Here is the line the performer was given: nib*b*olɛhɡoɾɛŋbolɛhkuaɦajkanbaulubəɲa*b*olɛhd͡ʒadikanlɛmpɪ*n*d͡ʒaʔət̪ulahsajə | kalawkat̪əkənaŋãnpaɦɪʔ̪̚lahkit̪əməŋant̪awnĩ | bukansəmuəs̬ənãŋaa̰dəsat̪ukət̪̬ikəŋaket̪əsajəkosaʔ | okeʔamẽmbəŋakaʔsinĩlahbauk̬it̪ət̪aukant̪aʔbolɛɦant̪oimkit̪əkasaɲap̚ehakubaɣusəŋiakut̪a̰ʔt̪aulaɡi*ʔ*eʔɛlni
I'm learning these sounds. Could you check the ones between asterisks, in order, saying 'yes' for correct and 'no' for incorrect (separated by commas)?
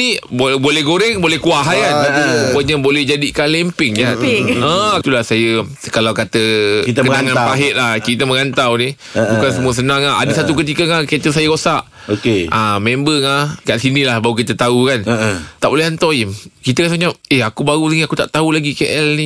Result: yes, yes, no, no